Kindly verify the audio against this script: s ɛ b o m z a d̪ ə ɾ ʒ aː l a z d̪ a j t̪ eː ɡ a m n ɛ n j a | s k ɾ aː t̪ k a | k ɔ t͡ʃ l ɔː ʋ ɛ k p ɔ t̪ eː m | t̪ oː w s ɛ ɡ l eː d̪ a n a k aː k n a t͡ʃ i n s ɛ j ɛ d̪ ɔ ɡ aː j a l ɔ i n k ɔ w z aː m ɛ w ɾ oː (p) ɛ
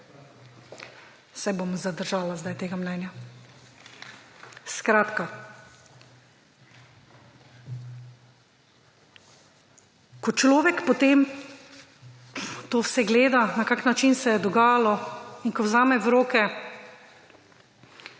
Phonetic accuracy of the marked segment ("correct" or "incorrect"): incorrect